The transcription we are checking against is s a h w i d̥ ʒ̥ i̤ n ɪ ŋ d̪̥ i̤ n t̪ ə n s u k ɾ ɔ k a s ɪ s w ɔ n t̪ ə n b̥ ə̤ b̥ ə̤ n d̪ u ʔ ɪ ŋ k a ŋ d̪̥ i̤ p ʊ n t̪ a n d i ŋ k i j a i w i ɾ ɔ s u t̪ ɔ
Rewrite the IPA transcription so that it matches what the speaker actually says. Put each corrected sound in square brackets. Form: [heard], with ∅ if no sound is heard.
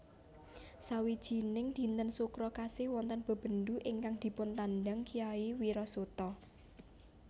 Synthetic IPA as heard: s a [∅] w i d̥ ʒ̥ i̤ n ɪ ŋ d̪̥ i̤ n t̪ ə n s u k ɾ ɔ k a s ɪ [h] w ɔ n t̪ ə n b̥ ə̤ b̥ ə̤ n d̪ u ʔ ɪ ŋ k a ŋ d̪̥ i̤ p ʊ n t̪ a n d [a] ŋ k i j a i w i ɾ ɔ s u t̪ ɔ